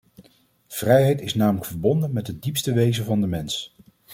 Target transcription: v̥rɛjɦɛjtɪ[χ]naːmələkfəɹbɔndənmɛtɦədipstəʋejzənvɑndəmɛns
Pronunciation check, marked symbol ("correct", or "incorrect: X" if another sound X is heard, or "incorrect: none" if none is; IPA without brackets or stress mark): incorrect: s